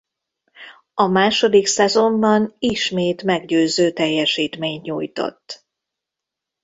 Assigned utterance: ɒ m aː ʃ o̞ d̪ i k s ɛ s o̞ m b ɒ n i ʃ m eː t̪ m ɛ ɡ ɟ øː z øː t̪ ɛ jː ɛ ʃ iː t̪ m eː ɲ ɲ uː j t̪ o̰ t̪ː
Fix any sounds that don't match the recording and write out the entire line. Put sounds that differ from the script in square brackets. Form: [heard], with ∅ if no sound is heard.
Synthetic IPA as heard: ɒ m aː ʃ o̞ d̪ i k s ɛ [z] o̞ m b ɒ n i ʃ m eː t̪ m ɛ ɡ ɟ øː z øː t̪ ɛ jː ɛ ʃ iː t̪ m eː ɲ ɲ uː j t̪ o̰ t̪ː